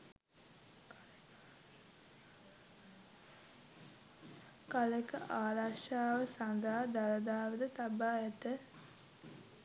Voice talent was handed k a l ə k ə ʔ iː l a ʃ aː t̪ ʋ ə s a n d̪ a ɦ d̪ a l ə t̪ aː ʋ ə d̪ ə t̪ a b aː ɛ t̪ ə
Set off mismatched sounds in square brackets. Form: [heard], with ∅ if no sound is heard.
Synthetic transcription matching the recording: k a l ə k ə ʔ [aː] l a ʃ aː [∅] ʋ ə s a n d̪ a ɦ d̪ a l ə [d̪] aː ʋ ə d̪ ə t̪ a b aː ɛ t̪ ə